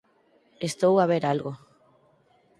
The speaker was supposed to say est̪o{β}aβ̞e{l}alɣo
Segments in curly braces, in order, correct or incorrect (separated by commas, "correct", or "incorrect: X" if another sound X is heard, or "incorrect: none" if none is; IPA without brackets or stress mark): incorrect: w, incorrect: ɾ